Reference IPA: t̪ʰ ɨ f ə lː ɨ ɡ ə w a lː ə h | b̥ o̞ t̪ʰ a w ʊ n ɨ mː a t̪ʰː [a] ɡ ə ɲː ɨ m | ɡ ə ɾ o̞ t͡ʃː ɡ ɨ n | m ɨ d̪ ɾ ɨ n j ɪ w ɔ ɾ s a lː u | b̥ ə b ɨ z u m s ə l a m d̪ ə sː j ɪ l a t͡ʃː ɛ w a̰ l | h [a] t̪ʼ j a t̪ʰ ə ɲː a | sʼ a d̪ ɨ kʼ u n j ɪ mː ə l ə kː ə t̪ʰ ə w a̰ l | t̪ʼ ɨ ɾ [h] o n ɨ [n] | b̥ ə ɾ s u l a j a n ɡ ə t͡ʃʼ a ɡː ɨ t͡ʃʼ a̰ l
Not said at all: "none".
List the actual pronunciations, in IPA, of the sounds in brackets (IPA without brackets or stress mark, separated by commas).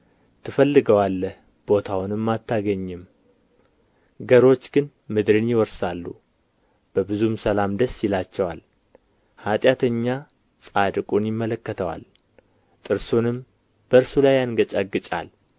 a, a, s, m